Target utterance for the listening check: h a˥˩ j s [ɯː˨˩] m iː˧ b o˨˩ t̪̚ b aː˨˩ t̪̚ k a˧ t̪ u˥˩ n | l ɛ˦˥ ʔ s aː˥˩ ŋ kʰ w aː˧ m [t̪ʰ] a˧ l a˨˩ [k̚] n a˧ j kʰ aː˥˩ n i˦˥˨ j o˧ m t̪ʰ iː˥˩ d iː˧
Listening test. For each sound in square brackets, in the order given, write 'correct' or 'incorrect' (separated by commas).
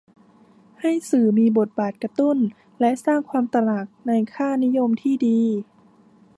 correct, incorrect, correct